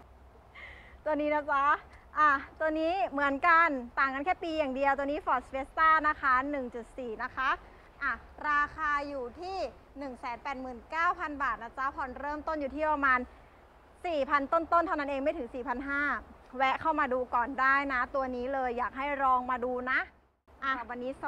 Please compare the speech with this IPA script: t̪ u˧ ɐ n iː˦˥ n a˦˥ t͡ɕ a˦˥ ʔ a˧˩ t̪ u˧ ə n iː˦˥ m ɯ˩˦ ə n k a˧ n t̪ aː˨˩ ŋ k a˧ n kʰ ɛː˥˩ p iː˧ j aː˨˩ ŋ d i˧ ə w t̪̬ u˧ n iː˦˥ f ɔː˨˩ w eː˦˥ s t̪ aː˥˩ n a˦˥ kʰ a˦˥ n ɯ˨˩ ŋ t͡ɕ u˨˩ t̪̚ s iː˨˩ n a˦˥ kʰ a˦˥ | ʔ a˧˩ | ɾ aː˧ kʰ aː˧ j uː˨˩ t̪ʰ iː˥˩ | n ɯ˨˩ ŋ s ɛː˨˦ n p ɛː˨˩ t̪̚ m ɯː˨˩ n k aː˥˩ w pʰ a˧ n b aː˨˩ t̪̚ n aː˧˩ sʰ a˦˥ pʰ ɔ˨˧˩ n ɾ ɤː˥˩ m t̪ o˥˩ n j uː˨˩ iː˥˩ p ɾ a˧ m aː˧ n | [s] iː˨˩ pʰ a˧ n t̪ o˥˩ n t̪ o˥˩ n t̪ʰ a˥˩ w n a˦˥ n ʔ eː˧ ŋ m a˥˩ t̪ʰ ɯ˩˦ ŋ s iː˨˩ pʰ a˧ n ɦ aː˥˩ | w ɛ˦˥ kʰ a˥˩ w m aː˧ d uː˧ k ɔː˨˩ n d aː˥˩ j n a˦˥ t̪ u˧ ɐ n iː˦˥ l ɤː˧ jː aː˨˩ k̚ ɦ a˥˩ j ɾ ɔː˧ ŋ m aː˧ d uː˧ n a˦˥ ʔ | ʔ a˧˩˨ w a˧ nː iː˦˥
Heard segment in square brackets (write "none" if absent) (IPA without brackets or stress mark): s